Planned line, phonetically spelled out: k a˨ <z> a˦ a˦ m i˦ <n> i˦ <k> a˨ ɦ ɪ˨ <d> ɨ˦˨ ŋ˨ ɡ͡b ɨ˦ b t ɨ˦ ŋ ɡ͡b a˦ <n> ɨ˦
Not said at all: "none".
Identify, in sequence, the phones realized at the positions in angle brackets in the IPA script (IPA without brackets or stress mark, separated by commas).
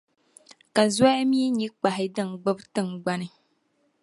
z, ɲ, k͡p, d, n